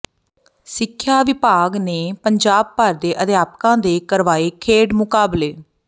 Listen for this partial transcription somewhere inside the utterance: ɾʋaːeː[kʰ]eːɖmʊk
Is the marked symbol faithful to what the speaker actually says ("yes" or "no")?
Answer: yes